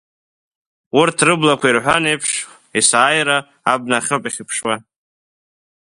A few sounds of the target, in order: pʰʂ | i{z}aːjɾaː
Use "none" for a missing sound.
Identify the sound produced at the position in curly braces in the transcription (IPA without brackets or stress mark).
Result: s